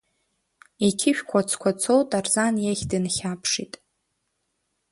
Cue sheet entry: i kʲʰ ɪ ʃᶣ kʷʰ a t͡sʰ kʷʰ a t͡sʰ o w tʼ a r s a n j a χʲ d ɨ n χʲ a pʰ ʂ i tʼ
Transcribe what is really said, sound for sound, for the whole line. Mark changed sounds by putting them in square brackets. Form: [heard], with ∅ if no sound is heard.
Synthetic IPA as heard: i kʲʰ ɪ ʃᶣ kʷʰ a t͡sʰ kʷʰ a t͡sʰ o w tʼ a r [z] a n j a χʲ d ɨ n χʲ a pʰ ʂ i tʼ

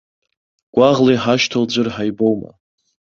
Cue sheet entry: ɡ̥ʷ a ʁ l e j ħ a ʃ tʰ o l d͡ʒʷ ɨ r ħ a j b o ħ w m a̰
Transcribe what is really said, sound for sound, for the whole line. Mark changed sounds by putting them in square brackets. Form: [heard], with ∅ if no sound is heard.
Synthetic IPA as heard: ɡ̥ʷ a ʁ l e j ħ a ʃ tʰ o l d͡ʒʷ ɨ r ħ a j b o [∅] w m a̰

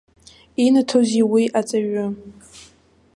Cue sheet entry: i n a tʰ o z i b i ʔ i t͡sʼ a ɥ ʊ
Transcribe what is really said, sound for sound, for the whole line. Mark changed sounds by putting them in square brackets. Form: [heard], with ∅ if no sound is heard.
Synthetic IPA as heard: i n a tʰ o z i [w] i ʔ [a] t͡sʼ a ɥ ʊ

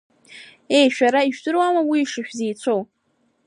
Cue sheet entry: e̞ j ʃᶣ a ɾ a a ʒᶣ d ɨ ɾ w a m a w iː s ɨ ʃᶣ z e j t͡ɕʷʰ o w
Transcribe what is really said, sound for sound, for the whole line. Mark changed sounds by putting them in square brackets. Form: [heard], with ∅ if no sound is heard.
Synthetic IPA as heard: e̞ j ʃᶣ a ɾ a [i] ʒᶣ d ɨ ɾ w a m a w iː [ʂ] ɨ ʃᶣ z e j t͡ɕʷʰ o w

